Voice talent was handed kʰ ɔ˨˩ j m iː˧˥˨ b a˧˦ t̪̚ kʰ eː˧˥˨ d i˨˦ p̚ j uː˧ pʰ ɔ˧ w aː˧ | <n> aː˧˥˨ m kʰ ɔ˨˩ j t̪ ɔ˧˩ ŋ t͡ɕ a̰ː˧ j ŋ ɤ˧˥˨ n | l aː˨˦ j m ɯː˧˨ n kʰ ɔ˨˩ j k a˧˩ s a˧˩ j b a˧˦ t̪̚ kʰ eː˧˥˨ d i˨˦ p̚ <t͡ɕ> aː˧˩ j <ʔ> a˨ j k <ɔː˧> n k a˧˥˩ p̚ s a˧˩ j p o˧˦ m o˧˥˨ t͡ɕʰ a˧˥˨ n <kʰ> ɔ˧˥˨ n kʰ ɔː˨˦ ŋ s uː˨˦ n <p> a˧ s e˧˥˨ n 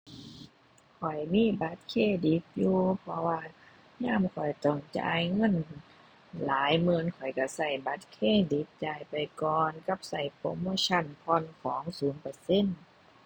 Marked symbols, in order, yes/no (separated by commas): no, yes, no, yes, no, yes